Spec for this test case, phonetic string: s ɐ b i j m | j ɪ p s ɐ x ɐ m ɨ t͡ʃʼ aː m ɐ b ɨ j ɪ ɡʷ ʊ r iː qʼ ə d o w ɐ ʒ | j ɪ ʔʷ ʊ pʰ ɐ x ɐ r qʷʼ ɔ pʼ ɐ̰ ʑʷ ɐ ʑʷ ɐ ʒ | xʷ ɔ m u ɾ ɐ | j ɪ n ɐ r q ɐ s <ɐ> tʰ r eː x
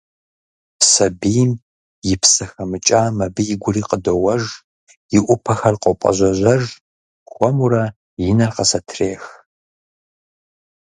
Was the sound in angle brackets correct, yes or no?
yes